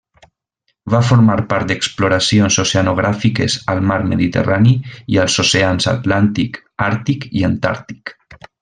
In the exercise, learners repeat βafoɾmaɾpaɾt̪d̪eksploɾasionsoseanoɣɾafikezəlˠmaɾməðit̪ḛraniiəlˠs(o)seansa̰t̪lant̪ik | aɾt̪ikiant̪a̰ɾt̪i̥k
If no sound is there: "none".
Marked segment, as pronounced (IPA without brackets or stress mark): o